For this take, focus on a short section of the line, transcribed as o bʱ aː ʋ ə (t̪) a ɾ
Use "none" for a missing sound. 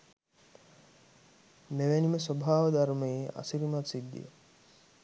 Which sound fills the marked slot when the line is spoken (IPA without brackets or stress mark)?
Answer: d̪